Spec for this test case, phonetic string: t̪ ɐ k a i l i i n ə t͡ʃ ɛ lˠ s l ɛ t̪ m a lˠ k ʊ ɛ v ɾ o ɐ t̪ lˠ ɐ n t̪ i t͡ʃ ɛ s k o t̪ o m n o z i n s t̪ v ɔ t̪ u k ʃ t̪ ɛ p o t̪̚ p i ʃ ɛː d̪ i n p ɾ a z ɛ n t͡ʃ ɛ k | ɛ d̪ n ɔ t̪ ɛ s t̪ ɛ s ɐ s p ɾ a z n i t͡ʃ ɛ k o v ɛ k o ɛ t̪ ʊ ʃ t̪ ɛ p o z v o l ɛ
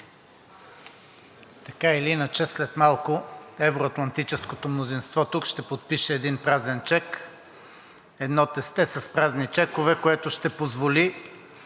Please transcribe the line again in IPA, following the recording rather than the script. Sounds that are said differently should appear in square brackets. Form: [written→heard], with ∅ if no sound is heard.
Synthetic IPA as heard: t̪ ɐ k a i l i i n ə t͡ʃ ɛ [lˠ→∅] s l ɛ t̪ m a lˠ k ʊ ɛ v ɾ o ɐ t̪ lˠ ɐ n t̪ i t͡ʃ ɛ s k o t̪ o m n o z i n s t̪ v ɔ t̪ u k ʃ t̪ ɛ p o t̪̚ p i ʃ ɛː d̪ i n p ɾ a z ɛ n t͡ʃ ɛ k | ɛ d̪ n ɔ t̪ ɛ s t̪ ɛ s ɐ s p ɾ a z n i t͡ʃ ɛ k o v ɛ k o ɛ t̪ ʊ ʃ t̪ ɛ p o z v o l [ɛ→i]